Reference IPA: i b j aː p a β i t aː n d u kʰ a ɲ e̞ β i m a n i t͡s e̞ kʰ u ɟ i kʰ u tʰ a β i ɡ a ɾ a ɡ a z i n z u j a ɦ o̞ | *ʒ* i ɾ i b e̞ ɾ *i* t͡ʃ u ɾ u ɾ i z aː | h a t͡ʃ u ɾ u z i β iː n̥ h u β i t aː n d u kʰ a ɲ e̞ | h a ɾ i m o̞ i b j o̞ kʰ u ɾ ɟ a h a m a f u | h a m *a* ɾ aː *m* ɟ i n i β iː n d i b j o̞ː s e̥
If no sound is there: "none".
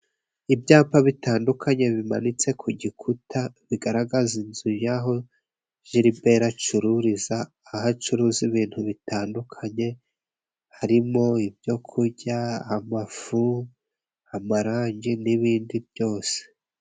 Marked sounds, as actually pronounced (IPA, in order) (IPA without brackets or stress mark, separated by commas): ʒ, a, a, ɲ